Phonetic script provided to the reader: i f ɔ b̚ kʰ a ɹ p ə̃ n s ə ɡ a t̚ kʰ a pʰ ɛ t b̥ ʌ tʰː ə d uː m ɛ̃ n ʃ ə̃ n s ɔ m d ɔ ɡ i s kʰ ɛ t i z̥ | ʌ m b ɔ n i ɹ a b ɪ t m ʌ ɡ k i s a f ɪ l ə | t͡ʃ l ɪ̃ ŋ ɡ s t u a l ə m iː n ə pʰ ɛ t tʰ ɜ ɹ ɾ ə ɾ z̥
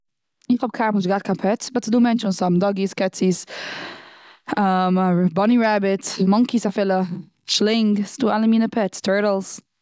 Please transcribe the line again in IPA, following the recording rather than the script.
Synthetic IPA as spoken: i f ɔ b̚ kʰ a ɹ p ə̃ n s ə ɡ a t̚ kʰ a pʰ ɛ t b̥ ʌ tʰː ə d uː m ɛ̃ n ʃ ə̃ n s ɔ m d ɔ ɡ i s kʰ ɛ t i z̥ | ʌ m b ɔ n i ɹ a b ɪ t m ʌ ŋ k i s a f ɪ l ə | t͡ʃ l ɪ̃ ŋ ɡ s t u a l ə m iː n ə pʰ ɛ t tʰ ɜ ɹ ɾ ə l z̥